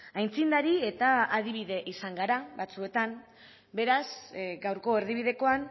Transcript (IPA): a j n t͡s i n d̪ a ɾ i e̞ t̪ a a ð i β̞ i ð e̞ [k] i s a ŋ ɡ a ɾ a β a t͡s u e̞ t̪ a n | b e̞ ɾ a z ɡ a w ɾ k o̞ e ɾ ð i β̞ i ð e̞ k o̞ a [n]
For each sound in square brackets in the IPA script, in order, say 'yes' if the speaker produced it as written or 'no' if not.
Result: no, yes

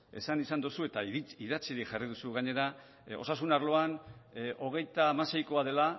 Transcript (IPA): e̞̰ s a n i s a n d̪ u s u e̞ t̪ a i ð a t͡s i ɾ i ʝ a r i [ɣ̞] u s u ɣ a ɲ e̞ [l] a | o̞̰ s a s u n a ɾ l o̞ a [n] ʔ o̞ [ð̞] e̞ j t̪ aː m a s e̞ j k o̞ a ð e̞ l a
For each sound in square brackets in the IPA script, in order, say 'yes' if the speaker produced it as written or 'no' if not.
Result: no, no, yes, no

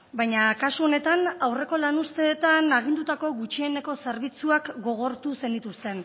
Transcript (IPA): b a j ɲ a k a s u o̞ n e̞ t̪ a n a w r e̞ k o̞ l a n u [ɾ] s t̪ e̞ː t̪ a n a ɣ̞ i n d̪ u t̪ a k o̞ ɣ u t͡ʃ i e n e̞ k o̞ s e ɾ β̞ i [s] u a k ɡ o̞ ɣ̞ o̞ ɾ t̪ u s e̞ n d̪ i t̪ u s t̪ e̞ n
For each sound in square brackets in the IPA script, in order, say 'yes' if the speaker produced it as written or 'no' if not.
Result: no, no

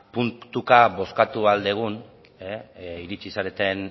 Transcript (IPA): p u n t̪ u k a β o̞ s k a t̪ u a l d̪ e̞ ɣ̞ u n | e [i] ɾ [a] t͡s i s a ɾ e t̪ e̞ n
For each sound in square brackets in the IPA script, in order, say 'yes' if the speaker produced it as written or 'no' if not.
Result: yes, no

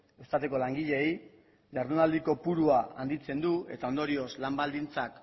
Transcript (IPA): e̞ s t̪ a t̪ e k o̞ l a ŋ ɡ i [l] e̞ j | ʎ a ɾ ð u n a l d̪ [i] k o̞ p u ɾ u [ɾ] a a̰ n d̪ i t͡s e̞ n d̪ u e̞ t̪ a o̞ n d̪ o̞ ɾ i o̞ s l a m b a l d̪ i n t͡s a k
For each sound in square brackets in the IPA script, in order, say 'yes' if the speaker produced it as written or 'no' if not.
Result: no, yes, no

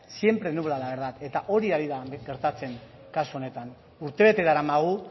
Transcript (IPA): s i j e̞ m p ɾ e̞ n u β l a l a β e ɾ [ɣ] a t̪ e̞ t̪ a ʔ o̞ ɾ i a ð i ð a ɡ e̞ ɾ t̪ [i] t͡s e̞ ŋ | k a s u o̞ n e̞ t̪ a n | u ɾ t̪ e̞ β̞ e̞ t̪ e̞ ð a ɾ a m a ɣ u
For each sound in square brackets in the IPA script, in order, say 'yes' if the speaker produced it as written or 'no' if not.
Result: no, no

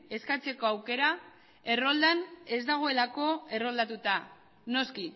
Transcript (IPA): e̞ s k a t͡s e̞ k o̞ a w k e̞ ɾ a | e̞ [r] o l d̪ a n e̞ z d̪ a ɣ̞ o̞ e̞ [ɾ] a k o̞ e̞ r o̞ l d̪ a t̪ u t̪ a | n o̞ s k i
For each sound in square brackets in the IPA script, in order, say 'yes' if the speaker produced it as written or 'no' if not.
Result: yes, no

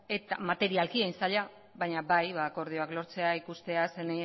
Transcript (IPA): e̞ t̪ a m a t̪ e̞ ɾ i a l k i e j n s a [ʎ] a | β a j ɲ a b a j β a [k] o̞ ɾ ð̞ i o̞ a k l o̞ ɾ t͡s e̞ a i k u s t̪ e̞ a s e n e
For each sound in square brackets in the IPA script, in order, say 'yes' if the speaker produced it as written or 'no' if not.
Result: yes, yes

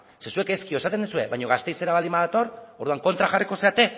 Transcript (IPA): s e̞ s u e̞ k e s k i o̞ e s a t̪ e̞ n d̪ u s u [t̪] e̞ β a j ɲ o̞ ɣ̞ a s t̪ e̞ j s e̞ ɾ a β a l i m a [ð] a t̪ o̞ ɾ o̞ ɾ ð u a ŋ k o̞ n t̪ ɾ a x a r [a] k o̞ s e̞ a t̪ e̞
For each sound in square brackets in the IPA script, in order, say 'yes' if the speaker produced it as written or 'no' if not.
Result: no, yes, no

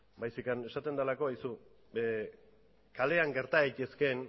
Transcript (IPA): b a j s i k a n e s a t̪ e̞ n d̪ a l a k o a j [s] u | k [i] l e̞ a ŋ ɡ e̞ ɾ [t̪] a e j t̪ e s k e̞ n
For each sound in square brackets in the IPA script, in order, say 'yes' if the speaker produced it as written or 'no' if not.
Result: yes, no, yes

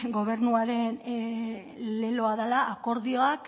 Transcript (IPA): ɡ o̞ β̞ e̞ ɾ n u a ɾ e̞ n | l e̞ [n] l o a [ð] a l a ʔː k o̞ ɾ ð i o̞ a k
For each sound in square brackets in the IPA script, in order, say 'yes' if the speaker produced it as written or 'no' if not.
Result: no, yes

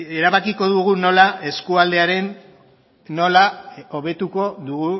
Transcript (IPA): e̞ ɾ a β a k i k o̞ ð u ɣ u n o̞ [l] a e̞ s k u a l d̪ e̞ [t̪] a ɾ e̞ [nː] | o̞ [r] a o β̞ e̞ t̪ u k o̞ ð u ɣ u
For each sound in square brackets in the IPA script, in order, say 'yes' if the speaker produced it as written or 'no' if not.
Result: yes, no, yes, no

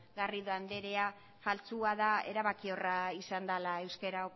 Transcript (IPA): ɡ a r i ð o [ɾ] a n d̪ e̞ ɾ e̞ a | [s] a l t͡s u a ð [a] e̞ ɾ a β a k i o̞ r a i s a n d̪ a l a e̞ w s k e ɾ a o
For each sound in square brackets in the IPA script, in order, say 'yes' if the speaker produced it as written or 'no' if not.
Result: no, no, yes

